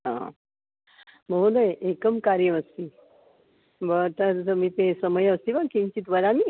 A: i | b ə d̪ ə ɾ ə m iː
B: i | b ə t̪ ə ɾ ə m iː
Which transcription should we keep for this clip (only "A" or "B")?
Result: B